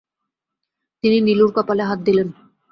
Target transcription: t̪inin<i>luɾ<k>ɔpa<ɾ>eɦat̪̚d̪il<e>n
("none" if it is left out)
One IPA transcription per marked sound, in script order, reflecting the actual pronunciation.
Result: i, k, l, e

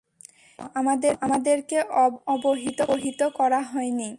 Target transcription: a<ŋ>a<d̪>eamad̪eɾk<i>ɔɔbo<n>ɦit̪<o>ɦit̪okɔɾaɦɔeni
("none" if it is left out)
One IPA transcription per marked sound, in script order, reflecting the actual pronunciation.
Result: m, d̪, e, none, o

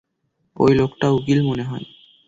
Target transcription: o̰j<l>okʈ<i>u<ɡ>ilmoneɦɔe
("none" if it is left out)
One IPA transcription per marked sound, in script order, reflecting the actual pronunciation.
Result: l, a, ɡ

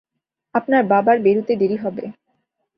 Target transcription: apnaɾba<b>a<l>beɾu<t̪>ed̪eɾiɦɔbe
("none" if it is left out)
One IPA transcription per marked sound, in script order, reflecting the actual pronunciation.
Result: b, ɾ, t̪

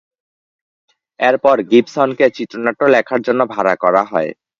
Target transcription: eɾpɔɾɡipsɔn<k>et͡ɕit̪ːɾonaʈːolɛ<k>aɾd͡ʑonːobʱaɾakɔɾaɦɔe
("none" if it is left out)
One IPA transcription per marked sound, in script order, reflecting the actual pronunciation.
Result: k, kʰ

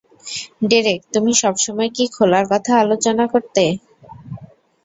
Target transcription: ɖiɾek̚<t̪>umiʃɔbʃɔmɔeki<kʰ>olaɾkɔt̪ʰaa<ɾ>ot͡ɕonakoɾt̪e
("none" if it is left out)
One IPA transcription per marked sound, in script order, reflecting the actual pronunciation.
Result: t̪, kʰ, l

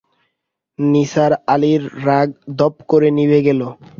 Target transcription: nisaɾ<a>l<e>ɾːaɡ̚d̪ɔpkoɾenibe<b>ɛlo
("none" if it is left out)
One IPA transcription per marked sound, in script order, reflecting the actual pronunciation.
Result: a, i, ɡ

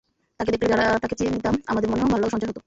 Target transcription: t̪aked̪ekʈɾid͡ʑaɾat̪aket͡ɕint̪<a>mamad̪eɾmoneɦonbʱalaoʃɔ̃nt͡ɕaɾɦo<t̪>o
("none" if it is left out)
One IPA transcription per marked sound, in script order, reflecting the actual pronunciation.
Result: a, t̪

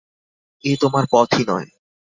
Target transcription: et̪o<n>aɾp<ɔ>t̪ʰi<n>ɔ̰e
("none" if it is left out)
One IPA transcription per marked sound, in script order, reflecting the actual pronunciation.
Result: m, ɔ, n

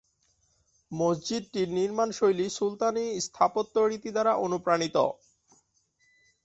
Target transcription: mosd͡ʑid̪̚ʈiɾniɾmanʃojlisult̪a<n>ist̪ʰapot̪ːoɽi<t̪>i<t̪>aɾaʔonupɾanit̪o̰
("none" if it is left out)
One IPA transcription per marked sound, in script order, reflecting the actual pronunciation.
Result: n, t̪, d̪

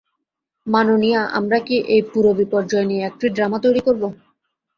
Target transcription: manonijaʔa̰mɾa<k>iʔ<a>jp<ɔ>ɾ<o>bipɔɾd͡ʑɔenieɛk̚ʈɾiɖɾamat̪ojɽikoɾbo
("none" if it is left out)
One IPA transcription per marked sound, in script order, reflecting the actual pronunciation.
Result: k, e, u, o

